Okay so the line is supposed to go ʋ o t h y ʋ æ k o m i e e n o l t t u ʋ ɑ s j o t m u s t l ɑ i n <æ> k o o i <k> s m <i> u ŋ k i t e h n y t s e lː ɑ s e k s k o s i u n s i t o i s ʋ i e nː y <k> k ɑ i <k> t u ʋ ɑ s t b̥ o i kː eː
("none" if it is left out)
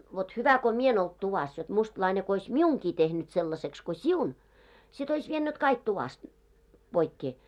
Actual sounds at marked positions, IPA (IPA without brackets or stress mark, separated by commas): e, none, i, t, k